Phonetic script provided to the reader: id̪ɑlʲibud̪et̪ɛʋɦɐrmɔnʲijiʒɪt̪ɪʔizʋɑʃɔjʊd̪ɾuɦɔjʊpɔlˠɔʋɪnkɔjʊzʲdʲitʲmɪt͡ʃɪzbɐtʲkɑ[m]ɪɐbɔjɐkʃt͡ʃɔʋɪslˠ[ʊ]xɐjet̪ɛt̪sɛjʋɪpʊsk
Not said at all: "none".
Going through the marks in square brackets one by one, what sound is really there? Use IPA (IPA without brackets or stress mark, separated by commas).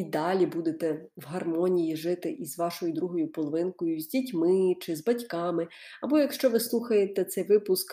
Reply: m, u